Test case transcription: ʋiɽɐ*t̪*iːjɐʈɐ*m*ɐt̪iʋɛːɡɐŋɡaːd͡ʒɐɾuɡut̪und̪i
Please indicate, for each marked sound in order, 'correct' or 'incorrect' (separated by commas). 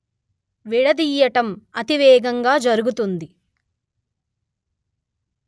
incorrect, correct